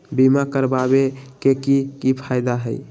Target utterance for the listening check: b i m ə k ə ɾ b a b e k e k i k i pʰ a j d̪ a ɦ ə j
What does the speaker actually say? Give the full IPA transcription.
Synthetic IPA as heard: b i m a k ə ɾ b a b e k e k i k i pʰ a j d̪ a ɦ ə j